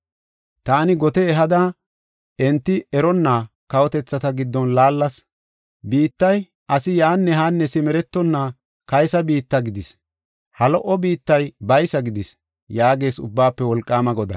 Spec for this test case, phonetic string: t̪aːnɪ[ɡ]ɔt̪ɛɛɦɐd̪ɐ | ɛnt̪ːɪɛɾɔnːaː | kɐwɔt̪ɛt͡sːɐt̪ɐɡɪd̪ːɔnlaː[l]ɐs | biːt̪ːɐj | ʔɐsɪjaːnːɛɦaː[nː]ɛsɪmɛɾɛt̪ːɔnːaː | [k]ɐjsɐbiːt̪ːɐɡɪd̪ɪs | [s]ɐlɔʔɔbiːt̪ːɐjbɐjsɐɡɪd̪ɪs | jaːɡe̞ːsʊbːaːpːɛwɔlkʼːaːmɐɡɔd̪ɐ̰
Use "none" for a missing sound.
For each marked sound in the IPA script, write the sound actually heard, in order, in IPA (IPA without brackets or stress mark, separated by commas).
ɡ, lː, nː, k, h